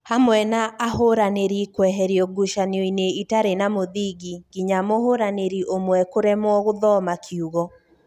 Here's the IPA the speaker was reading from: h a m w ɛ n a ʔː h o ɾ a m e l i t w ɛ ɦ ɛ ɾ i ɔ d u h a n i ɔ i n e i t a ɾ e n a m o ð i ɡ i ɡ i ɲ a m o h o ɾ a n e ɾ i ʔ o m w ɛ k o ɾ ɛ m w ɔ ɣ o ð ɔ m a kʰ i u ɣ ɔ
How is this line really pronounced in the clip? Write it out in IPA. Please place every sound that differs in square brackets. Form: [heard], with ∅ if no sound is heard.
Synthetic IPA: h a m w ɛ n a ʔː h o ɾ a [n] e [ɾ] i [k] w ɛ ɦ ɛ ɾ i ɔ [ɡ] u [ʃ] a n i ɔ i n e i t a ɾ e n a m o ð i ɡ i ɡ i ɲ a m o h o ɾ a n e ɾ i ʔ o m w ɛ k o ɾ ɛ m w ɔ ɣ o ð ɔ m a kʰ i u ɣ ɔ